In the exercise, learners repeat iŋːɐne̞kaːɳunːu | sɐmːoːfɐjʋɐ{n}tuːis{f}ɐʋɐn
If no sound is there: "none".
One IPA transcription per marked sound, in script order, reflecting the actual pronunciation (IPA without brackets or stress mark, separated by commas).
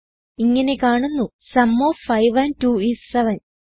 n, s